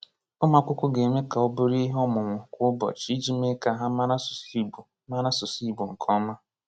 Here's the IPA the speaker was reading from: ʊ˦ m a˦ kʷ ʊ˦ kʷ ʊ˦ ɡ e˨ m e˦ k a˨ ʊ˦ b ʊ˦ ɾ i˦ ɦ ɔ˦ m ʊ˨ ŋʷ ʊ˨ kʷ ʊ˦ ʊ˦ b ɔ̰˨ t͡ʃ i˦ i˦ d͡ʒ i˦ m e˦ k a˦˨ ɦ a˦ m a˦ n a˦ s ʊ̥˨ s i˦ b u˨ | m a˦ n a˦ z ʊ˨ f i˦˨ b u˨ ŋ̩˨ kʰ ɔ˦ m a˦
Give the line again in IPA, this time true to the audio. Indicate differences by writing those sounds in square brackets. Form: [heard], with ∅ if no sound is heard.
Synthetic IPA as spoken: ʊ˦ m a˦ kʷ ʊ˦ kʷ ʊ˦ ɡ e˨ m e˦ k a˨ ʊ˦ b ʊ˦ ɾ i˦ ɦ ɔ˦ m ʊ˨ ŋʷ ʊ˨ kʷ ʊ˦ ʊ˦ b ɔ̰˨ t͡ʃ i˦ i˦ d͡ʒ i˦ m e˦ k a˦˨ ɦ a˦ m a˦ n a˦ s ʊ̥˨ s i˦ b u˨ | m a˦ n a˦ [s] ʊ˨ [s] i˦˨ b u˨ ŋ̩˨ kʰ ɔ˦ m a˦